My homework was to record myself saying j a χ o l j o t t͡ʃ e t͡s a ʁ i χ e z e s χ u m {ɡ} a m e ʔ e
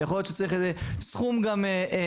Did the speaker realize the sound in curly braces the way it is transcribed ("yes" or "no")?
yes